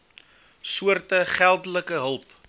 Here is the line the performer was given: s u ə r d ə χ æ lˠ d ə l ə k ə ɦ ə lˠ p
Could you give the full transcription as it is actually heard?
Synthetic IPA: s u ə r t ə χ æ lˠ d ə l ə k ə ɦ ə lˠ p